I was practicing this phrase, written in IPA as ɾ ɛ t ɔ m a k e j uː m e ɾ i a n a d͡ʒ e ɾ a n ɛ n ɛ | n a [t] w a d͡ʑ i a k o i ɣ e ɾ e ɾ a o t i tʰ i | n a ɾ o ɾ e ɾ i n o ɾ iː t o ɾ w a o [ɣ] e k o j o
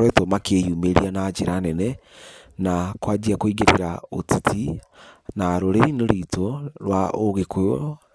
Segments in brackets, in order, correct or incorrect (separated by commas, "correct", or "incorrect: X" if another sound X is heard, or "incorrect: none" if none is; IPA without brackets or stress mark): incorrect: k, correct